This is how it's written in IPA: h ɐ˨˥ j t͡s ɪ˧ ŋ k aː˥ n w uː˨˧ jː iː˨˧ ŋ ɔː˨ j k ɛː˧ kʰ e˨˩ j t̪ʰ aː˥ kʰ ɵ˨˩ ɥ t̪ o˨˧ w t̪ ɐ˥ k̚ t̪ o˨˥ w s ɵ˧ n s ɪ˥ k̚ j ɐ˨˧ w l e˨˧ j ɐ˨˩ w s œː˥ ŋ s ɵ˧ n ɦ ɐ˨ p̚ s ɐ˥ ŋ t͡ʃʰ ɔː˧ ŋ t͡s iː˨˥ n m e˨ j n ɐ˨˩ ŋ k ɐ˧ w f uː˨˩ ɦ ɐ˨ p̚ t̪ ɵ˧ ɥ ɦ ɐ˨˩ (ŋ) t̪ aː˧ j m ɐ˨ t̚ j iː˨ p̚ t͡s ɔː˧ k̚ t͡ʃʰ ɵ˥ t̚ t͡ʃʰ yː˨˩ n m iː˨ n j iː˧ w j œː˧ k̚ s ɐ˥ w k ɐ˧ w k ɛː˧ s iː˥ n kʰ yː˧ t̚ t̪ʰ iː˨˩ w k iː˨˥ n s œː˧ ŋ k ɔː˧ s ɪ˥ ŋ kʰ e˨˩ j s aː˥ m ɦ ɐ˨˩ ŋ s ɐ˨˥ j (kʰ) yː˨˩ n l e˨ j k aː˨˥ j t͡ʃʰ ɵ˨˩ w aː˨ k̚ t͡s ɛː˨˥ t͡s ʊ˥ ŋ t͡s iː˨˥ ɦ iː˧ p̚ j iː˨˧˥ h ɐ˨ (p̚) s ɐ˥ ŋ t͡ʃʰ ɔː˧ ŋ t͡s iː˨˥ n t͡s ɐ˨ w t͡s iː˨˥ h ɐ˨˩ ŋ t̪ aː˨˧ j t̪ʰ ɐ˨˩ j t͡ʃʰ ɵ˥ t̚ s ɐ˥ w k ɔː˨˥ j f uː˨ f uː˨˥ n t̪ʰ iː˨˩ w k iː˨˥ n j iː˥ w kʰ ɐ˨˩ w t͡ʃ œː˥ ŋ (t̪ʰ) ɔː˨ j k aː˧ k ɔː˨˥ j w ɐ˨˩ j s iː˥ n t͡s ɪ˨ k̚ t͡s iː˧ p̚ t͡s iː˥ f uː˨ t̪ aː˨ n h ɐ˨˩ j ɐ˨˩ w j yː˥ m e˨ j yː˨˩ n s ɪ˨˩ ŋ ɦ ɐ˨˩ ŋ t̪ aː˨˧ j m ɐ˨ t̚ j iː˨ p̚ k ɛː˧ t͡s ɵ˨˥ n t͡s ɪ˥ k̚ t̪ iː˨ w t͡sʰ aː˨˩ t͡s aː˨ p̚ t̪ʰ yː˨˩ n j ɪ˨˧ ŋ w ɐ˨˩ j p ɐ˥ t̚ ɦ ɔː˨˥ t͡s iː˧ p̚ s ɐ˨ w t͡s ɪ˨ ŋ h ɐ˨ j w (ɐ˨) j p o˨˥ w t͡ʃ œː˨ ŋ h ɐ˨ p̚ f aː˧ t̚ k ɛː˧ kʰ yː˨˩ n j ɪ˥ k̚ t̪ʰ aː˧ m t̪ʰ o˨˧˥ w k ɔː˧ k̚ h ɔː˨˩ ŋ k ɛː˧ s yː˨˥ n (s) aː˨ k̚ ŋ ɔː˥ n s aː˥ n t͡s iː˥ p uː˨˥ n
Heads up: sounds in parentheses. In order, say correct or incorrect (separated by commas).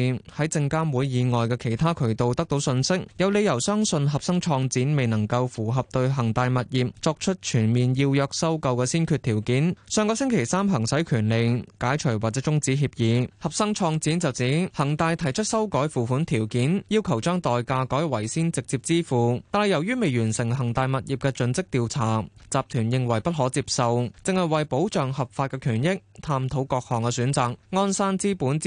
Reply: correct, correct, correct, incorrect, correct, incorrect